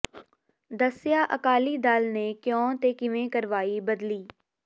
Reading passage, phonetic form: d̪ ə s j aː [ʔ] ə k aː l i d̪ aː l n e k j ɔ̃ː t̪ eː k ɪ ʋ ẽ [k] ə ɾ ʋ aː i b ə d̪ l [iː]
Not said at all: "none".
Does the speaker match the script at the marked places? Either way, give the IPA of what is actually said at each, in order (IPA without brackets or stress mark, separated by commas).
ʔ, k, iː